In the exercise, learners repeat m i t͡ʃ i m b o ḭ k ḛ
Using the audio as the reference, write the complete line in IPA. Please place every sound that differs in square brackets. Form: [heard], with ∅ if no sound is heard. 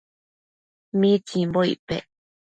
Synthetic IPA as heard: m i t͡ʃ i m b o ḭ [p] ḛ